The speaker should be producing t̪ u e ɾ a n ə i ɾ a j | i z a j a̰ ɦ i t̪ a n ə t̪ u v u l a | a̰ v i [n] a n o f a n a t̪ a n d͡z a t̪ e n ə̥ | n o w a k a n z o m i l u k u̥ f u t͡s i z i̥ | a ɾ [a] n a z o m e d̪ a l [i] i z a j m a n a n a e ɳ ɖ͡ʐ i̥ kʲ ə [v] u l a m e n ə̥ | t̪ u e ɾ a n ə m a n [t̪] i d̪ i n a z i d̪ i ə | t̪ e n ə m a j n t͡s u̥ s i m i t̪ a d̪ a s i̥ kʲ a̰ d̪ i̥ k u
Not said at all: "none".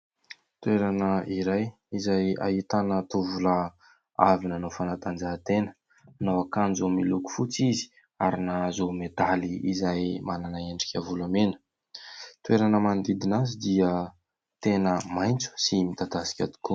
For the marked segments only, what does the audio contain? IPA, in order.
n, i, i, v, d̪

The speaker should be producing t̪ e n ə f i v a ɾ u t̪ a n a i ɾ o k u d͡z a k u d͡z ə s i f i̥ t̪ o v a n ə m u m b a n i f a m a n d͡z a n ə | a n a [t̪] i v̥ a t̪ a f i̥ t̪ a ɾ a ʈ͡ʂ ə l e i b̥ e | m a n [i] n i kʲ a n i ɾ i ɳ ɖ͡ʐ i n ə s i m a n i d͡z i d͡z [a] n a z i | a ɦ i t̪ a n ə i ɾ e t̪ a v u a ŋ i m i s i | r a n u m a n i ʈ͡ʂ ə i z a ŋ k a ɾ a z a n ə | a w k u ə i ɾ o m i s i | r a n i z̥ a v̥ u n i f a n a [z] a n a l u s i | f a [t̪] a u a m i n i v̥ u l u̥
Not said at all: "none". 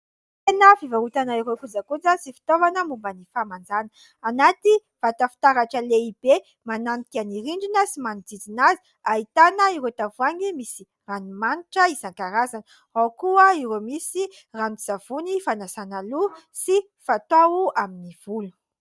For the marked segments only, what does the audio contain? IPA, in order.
t̪, a, i, s, t̪

